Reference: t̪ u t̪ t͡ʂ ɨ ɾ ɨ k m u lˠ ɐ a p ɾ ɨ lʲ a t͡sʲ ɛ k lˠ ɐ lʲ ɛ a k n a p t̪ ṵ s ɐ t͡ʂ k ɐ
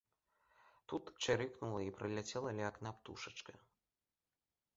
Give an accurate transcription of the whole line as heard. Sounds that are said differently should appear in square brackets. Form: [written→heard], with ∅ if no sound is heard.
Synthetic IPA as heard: t̪ u t̪ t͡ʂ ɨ ɾ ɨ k [m→n] u lˠ ɐ [a→i] p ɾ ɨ lʲ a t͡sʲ ɛ [k→∅] lˠ ɐ lʲ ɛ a k n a p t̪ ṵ [s→ʂ] ɐ t͡ʂ k ɐ